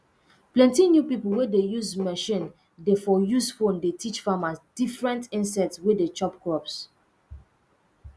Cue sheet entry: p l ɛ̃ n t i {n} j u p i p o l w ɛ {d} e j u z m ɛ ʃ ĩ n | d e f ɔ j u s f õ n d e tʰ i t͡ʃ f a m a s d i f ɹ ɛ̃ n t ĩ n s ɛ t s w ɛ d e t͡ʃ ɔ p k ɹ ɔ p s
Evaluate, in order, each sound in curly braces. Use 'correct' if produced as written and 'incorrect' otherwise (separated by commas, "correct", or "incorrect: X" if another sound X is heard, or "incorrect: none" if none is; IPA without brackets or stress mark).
correct, correct